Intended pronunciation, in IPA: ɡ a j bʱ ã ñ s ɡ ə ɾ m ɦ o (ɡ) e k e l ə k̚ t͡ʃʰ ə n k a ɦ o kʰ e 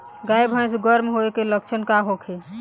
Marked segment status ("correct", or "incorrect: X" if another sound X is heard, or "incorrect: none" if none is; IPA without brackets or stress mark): incorrect: none